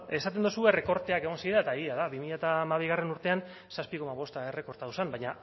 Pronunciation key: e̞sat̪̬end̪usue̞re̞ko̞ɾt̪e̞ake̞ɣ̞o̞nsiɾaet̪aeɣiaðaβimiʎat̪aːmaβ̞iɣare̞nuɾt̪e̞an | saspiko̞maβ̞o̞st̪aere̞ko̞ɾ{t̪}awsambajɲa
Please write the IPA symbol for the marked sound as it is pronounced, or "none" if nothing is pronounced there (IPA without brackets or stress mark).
t̪